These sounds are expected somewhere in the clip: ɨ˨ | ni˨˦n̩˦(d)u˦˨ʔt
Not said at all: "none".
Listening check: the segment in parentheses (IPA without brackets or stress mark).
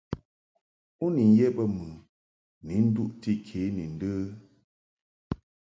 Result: d